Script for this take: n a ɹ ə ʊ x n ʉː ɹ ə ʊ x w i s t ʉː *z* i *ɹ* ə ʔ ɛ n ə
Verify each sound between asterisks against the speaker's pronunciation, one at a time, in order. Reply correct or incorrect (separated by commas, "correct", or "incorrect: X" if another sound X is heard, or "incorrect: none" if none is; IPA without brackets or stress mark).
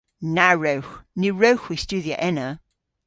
incorrect: ð, incorrect: none